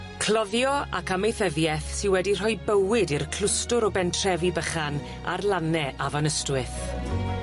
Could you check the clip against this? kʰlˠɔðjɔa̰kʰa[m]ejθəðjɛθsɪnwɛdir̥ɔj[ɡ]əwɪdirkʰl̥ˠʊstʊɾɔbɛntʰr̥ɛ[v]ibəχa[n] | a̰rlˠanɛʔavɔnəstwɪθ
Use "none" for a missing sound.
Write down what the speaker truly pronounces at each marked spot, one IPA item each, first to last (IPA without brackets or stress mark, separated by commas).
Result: m, b, v, n